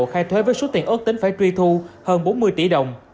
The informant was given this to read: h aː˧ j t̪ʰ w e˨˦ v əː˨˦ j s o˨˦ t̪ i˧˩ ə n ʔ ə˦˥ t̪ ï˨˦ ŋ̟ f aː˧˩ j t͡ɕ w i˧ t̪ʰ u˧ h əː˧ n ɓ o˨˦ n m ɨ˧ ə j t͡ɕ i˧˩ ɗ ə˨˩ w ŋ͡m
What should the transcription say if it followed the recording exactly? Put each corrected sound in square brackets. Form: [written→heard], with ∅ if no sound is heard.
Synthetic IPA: [h→x] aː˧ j t̪ʰ w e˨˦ v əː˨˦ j s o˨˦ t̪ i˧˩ ə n ʔ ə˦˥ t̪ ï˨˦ ŋ̟ f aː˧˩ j t͡ɕ w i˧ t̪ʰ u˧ h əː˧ n ɓ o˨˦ n m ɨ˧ ə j t͡ɕ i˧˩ ɗ ə˨˩ w ŋ͡m

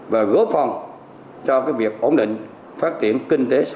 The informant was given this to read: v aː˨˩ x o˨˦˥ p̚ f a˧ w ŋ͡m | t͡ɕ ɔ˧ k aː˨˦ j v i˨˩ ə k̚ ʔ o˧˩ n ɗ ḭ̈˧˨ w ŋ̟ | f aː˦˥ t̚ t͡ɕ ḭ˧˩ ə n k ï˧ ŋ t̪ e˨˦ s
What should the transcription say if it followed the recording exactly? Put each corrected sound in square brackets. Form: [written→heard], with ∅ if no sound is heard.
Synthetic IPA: v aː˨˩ [x→ɣ] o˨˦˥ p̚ f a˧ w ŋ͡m | t͡ɕ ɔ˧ k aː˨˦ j v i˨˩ ə k̚ ʔ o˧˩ n ɗ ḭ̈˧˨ [w→∅] ŋ̟ | f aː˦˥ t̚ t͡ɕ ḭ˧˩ ə n k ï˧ ŋ t̪ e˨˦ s

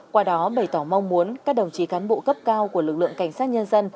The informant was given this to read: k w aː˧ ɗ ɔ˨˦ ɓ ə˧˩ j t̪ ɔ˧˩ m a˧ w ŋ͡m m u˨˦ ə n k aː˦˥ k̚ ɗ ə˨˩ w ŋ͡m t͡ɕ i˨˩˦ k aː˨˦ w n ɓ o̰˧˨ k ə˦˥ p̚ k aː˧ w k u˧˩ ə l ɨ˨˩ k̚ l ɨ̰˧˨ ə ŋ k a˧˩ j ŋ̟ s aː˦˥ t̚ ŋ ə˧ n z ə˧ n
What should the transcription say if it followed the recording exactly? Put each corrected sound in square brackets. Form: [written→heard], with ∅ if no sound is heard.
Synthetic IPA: k w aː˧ ɗ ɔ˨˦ ɓ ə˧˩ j t̪ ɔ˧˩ m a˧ w ŋ͡m m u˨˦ ə n k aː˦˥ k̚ ɗ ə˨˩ w ŋ͡m t͡ɕ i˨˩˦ k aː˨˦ [w→∅] n ɓ o̰˧˨ k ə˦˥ p̚ k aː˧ w k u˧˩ ə l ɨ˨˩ k̚ l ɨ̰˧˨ ə ŋ k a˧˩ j ŋ̟ s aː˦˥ t̚ [ŋ→ɲ] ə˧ n z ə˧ n

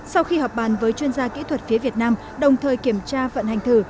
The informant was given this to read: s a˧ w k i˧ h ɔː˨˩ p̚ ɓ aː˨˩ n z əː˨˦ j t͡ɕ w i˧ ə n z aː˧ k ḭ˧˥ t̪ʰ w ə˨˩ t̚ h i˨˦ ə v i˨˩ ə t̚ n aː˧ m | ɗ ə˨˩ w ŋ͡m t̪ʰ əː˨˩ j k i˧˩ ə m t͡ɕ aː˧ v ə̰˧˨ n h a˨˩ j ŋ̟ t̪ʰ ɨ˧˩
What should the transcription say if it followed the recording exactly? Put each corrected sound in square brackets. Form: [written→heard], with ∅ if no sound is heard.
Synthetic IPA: s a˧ w [k→x] i˧ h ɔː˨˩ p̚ ɓ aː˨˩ n [z→v] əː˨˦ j t͡ɕ w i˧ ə n z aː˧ k ḭ˧˥ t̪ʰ w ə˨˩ t̚ [h→f] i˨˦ ə v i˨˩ ə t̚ n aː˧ m | ɗ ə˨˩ w ŋ͡m t̪ʰ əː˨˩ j k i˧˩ ə m t͡ɕ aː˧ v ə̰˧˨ n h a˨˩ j ŋ̟ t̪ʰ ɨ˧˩

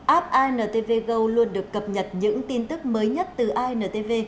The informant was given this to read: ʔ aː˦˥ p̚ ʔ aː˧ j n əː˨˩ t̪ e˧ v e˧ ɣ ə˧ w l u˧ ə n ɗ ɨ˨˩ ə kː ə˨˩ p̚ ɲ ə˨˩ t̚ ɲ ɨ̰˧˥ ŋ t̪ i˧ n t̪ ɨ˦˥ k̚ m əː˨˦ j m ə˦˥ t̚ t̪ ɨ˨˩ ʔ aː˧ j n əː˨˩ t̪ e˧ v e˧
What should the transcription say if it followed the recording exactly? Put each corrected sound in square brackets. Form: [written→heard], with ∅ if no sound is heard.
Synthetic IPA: ʔ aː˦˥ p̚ ʔ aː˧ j n əː˨˩ t̪ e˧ v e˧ ɣ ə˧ w l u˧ ə n ɗ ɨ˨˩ ə kː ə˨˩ p̚ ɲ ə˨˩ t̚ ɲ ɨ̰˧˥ ŋ t̪ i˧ n t̪ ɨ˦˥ k̚ m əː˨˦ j [m→ɲ] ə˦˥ t̚ t̪ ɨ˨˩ ʔ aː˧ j n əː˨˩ t̪ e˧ v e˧

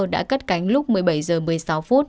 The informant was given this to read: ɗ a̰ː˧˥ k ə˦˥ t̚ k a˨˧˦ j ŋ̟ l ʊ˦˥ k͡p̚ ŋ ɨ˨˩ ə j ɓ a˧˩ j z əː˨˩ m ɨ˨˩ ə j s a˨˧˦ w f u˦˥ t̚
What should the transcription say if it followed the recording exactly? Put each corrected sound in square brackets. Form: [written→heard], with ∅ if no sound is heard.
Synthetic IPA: ɗ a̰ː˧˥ k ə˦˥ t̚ k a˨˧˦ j ŋ̟ l ʊ˦˥ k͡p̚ [ŋ→m] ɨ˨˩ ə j ɓ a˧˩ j z əː˨˩ m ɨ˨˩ ə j s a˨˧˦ w f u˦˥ t̚

